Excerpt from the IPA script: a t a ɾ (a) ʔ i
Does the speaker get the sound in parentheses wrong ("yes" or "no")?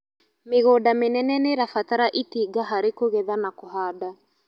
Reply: no